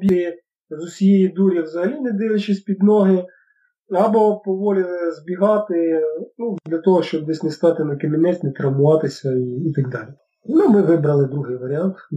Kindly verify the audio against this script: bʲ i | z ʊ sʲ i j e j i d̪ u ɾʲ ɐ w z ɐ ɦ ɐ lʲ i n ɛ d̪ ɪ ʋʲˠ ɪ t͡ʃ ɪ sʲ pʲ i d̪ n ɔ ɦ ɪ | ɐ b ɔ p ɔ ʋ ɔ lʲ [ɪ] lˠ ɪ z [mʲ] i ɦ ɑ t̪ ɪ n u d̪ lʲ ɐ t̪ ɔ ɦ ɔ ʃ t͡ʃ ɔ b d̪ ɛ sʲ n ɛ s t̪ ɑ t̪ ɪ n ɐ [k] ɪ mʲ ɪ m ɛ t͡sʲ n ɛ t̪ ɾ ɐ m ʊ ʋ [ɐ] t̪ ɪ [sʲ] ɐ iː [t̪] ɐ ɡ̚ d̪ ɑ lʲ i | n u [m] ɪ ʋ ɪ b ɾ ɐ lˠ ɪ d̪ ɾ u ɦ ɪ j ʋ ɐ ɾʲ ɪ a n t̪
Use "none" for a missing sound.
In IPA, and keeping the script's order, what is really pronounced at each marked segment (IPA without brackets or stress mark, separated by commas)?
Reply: ɪ, bʲ, k, ɑ, sʲ, t̪, m